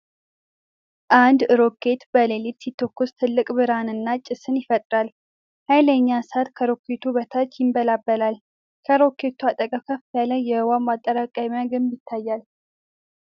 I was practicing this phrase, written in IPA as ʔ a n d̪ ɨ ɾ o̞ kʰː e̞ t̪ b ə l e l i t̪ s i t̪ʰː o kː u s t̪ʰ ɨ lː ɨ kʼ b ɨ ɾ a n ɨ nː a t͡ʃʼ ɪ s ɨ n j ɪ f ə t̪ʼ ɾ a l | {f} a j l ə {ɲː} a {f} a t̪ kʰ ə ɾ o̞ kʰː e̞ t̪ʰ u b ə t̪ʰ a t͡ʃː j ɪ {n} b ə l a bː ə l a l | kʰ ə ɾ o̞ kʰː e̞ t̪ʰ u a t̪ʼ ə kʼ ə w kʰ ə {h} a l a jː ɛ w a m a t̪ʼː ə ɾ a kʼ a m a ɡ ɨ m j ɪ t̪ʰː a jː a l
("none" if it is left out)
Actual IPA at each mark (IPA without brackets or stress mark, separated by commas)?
h, ɲː, s, m, f